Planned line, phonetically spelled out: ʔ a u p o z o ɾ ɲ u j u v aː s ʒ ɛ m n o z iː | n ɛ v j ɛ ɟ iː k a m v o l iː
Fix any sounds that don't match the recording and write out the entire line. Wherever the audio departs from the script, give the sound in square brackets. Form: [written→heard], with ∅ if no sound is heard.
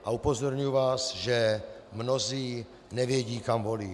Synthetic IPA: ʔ a u p o z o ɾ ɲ u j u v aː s ʒ ɛ m n o z iː | n ɛ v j ɛ ɟ iː k a m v o l iː